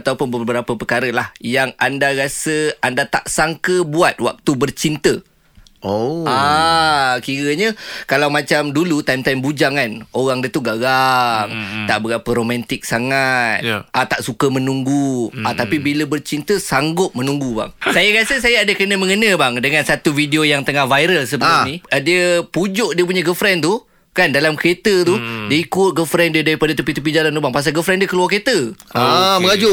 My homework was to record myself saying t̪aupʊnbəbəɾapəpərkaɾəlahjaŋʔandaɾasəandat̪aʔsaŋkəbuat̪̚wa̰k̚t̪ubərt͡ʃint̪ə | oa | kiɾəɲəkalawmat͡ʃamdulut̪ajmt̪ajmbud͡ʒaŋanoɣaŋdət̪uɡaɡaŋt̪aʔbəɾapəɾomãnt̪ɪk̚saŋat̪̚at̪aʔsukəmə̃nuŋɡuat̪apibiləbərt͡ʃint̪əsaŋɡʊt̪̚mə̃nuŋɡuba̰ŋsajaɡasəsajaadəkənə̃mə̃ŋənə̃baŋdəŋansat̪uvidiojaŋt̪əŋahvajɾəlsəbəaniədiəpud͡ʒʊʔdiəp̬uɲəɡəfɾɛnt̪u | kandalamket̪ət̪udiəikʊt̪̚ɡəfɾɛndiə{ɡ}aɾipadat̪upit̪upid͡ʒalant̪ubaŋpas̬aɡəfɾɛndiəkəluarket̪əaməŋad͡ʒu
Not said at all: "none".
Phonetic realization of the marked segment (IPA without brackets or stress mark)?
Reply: d